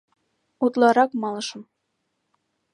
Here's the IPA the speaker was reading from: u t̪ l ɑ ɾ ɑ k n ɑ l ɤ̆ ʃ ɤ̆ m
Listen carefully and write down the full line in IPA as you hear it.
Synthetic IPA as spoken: u t̪ l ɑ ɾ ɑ k m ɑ l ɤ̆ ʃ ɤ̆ m